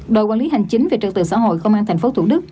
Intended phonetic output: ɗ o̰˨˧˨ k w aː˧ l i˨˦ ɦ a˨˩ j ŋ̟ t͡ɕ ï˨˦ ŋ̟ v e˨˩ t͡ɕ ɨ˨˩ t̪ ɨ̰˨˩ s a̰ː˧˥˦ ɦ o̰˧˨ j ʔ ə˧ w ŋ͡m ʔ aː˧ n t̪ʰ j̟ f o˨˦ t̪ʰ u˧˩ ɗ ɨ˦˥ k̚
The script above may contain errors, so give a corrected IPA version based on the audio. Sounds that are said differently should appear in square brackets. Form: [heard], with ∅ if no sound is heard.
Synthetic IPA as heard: ɗ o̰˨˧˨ k w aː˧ l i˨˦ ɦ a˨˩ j ŋ̟ t͡ɕ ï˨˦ ŋ̟ v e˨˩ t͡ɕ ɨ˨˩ t̪ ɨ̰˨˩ s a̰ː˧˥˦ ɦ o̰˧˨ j [k] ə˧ w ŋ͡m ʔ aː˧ n t̪ʰ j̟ f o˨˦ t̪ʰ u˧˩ ɗ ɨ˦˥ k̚

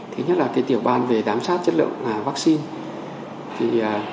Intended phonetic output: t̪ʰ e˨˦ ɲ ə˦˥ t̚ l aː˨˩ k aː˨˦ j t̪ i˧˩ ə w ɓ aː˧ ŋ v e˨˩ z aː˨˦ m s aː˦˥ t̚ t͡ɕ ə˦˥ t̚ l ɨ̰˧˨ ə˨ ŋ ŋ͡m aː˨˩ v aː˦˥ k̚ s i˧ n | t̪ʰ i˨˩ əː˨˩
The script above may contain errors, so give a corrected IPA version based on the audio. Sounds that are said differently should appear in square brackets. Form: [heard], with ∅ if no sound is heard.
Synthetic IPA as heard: t̪ʰ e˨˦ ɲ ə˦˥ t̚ l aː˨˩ k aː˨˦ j t̪ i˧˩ ə w ɓ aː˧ [n] v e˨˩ z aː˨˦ m s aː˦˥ t̚ t͡ɕ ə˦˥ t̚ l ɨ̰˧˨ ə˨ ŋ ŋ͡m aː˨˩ v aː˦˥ k̚ s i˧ n | t̪ʰ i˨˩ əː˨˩

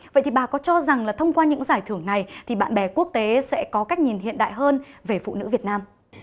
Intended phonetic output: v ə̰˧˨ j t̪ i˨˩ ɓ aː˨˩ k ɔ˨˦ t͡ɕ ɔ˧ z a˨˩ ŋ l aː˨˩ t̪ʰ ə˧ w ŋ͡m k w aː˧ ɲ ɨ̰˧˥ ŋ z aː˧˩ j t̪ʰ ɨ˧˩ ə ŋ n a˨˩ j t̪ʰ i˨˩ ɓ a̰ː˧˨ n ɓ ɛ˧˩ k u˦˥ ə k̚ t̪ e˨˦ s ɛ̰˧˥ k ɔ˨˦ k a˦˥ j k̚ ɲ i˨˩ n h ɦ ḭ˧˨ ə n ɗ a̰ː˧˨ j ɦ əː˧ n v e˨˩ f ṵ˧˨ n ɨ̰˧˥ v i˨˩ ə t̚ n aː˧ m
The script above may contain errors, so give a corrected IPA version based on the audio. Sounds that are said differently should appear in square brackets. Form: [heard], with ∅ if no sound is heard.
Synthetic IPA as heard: v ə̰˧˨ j t̪ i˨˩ ɓ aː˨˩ k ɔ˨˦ t͡ɕ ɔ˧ z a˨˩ ŋ l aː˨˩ t̪ʰ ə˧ w ŋ͡m k w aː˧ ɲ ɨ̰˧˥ ŋ z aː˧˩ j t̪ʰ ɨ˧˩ ə ŋ n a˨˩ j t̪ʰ i˨˩ ɓ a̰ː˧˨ n ɓ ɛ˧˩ k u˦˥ ə k̚ t̪ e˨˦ s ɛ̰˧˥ k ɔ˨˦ k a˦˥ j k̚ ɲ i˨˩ n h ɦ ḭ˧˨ ə n ɗ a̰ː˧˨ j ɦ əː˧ n v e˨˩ f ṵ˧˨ n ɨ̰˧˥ v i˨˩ ə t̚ n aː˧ m

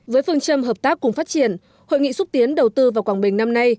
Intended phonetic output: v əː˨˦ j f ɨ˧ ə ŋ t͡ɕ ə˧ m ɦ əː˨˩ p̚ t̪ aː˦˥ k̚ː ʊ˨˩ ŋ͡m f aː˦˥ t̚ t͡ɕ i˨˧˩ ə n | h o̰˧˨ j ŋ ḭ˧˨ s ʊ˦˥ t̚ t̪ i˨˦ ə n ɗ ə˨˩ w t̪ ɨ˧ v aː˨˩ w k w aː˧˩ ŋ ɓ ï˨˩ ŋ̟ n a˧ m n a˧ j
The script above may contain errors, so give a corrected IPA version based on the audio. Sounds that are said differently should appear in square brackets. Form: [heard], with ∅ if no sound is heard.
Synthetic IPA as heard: v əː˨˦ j f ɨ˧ ə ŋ t͡ɕ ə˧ m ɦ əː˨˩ p̚ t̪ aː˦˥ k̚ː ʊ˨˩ ŋ͡m f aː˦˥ t̚ t͡ɕ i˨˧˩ ə n | h o̰˧˨ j ŋ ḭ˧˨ s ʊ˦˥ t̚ t̪ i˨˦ ə n ɗ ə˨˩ w t̪ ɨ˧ v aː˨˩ w k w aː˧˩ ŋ ɓ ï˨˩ ŋ̟ n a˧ m n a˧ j

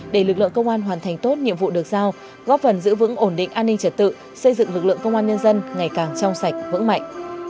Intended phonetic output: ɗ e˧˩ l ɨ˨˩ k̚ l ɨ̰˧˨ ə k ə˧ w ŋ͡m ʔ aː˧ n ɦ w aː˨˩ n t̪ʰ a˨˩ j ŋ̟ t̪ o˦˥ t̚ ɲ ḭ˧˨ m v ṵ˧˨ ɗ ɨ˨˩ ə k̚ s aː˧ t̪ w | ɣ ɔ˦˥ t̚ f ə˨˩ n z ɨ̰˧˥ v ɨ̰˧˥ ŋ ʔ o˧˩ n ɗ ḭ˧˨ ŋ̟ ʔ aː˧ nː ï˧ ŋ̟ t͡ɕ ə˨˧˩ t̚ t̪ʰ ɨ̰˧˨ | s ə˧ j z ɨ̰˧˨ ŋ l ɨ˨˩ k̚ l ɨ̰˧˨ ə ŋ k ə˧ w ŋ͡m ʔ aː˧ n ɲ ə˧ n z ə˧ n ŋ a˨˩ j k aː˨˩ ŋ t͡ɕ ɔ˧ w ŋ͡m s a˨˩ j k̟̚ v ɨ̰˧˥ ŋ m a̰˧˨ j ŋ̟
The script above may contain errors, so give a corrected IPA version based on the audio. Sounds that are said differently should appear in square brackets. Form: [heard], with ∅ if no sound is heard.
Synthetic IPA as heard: ɗ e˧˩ l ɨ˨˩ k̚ l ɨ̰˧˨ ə k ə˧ w ŋ͡m ʔ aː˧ n ɦ w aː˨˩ n t̪ʰ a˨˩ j ŋ̟ t̪ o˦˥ t̚ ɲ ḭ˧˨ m v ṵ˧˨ ɗ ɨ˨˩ ə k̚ [z] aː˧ [∅] w | ɣ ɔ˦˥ [p̚] f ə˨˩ n z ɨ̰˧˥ v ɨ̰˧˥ ŋ ʔ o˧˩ n ɗ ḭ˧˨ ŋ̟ ʔ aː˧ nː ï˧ ŋ̟ t͡ɕ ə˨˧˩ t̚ [t̪] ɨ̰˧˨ | s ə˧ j z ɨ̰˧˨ ŋ l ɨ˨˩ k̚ l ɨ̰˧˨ ə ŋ k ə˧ w ŋ͡m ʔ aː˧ n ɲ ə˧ n z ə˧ n ŋ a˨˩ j k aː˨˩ ŋ t͡ɕ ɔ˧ w ŋ͡m s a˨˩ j k̟̚ v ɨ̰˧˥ ŋ m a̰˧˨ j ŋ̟

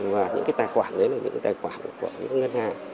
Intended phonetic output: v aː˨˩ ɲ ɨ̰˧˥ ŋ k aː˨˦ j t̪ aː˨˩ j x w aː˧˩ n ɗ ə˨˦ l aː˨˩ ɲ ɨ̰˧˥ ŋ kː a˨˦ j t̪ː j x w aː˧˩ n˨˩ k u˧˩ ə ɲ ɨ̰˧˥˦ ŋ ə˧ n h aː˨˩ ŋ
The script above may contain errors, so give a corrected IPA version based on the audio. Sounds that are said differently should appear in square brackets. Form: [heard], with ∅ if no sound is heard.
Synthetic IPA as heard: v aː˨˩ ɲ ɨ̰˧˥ ŋ k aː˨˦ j t̪ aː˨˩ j x w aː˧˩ n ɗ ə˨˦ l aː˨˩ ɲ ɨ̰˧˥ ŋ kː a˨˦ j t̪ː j x w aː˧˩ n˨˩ k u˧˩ ə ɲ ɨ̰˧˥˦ ŋ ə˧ n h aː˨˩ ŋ

